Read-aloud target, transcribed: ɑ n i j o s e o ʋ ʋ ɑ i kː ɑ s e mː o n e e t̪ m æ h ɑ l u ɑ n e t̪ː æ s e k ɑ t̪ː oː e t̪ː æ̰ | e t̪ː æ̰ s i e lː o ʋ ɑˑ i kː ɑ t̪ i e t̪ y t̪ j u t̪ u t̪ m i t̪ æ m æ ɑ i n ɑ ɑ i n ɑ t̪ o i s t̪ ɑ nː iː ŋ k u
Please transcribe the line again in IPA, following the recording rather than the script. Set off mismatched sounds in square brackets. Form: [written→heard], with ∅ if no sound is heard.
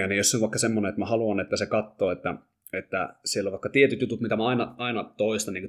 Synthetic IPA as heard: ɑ n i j o s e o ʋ ʋ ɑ i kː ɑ s e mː o n e e t̪ m æ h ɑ l u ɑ n e t̪ː æ s e k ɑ t̪ː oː e t̪ː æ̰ | e t̪ː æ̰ s i e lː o ʋ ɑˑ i kː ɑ t̪ i e t̪ y t̪ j u t̪ u t̪ m i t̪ æ m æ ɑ i n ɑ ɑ i n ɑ t̪ o i s t̪ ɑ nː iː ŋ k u